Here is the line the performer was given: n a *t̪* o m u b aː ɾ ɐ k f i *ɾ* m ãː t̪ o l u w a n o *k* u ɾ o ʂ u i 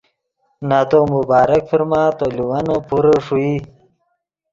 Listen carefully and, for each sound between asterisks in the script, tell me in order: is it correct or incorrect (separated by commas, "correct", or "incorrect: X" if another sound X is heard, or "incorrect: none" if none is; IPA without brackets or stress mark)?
correct, correct, incorrect: p